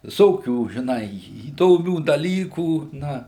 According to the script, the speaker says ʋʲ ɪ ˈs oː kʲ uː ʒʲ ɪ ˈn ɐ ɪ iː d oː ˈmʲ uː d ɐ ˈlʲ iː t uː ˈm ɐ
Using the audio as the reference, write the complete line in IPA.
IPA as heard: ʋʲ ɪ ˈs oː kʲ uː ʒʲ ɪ ˈn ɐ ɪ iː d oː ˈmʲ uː d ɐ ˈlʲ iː k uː ˈn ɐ